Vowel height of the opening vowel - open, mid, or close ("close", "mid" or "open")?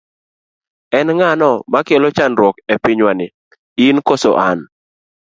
mid